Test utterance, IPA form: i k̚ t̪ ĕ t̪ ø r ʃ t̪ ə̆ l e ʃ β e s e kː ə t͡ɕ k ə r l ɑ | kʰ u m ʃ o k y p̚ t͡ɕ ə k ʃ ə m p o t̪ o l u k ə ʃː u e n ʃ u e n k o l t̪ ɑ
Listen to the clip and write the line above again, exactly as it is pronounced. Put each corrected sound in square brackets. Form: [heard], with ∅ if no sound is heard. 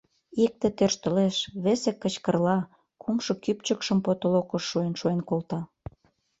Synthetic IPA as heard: i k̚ t̪ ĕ t̪ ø r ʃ t̪ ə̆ l e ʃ β e s e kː ə t͡ɕ k ə r l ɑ | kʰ u m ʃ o k y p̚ t͡ɕ ə k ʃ ə m p o t̪ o l [o] k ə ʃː u e n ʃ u e n k o l t̪ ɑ